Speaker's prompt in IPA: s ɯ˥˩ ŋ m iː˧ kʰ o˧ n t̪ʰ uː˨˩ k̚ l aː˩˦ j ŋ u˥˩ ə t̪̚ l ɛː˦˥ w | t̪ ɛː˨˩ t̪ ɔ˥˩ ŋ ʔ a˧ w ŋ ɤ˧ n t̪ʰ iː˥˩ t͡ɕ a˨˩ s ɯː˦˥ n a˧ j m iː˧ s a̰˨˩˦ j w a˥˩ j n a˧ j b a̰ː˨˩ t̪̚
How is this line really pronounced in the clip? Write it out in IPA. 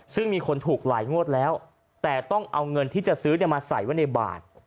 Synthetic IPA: s ɯ˥˩ ŋ m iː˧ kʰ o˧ n t̪ʰ uː˨˩ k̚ l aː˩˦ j ŋ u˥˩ ə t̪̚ l ɛː˦˥ w | t̪ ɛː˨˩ t̪ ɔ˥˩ ŋ ʔ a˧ w ŋ ɤ˧ n t̪ʰ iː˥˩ t͡ɕ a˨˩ s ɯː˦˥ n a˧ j m aː˧ s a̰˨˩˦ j w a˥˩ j n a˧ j b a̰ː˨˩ t̪̚